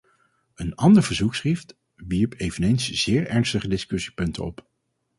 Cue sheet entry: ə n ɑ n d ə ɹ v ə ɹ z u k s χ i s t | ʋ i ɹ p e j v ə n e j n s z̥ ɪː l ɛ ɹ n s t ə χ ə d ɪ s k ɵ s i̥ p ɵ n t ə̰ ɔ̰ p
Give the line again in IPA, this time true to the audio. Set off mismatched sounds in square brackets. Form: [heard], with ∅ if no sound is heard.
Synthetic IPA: ə n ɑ n d ə ɹ v ə ɹ z u k s χ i [f] t | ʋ i ɹ p e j v ə n e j n s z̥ ɪː [ɹ] ɛ ɹ n s t ə χ ə d ɪ s k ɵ s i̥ p ɵ n t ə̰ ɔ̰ p

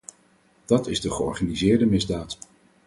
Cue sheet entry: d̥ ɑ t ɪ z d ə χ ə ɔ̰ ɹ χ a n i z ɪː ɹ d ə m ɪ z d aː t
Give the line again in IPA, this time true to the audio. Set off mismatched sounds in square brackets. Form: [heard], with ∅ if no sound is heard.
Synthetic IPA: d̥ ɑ t ɪ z d ə χ ə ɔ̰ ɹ χ a n i z ɪː ɹ d ə m ɪ z d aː t

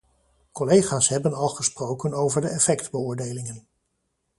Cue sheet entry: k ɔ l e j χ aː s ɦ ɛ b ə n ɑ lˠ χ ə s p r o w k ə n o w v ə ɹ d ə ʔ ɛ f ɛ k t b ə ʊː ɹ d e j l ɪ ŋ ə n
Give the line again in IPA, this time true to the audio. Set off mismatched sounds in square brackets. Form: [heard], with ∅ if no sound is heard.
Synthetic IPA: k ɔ l e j χ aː s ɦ ɛ b ə n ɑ lˠ χ ə s p r o w k ə n o w v ə ɹ d ə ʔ ɛ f ɛ k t b ə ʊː ɹ d e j l ɪ ŋ ə n

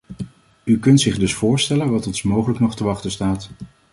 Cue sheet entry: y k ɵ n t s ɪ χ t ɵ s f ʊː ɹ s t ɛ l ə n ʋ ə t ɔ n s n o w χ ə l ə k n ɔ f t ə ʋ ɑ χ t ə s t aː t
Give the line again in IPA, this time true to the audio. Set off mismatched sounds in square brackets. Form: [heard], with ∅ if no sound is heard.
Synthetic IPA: y k ɵ n t s ɪ χ [d] ɵ s f ʊː ɹ s t ɛ l ə n ʋ [ɑ] t ɔ n s [m] o w χ ə l ə k n ɔ [χ] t ə ʋ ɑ χ t ə s t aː t

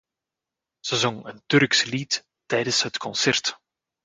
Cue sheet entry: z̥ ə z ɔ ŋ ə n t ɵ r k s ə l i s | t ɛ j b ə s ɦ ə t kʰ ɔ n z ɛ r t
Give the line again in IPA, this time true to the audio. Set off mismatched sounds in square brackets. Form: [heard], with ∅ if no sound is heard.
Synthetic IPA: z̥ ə z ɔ ŋ ə n t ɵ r k s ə l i [t] | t ɛ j [d] ə s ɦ ə t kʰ ɔ n [s] ɛ r t

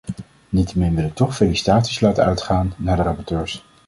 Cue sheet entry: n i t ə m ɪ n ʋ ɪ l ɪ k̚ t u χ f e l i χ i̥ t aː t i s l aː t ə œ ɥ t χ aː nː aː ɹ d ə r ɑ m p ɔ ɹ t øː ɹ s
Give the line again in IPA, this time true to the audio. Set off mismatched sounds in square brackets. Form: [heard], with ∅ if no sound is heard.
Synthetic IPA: n i t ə m ɪ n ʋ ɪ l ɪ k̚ t [ɔ] χ f e l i [s] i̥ t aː t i s l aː t ə œ ɥ t χ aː nː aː ɹ d ə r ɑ [∅] p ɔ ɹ t øː ɹ s

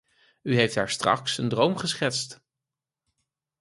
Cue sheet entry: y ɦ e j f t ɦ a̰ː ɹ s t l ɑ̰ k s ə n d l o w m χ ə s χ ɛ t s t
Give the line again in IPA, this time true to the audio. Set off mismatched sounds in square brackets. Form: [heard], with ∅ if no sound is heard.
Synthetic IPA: y ɦ e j f t ɦ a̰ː ɹ s t [r] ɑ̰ k s ə n d [r] o w m χ ə s χ ɛ t s t

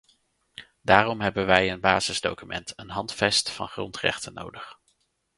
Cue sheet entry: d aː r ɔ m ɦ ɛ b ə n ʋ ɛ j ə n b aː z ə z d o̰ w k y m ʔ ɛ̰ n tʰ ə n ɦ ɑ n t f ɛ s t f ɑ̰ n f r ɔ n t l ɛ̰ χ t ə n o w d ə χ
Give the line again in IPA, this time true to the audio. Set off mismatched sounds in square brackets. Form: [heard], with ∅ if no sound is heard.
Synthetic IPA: d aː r ɔ m ɦ ɛ b ə n ʋ ɛ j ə n b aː z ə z d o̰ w k y m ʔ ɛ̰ n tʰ ə n ɦ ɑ n t f ɛ s t f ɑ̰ n [χ] r ɔ n t [r] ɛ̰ χ t ə n o w d ə χ

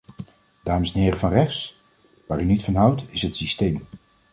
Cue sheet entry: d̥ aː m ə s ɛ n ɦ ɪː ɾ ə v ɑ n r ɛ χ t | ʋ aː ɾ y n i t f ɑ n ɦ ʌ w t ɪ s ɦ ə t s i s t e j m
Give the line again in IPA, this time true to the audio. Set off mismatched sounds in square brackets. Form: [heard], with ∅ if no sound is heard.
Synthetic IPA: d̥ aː m ə s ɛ n ɦ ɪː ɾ ə v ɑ n r ɛ χ [s] | ʋ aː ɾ y n i t f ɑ n ɦ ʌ w t ɪ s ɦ ə t s i s t e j m

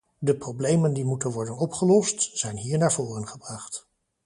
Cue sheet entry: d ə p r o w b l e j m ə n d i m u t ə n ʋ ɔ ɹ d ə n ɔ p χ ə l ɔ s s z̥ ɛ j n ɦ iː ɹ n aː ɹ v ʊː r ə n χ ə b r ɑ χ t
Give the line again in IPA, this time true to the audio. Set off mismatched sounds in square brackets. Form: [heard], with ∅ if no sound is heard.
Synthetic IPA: d ə p r o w b l e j m ə n d i m u t ə n ʋ ɔ ɹ d ə n ɔ p χ ə l ɔ s [t] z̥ ɛ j n ɦ iː ɹ n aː ɹ v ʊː r ə n χ ə b r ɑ χ t

